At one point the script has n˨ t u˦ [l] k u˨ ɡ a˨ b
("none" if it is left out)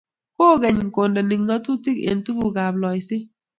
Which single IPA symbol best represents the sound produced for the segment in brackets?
none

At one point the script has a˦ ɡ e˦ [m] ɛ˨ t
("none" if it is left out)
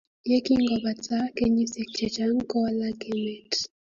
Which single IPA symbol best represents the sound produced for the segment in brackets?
m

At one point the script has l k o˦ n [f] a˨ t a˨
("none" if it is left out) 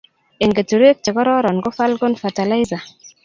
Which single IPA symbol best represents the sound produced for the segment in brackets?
f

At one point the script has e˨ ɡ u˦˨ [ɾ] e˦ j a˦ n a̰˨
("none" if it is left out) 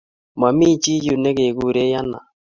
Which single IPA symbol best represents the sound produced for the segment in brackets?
ɾ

